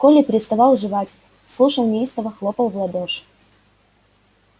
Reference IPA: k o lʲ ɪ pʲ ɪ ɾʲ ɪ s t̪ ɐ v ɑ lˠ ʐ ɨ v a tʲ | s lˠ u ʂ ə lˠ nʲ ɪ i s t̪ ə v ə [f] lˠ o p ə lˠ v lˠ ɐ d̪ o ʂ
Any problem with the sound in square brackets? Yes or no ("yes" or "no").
yes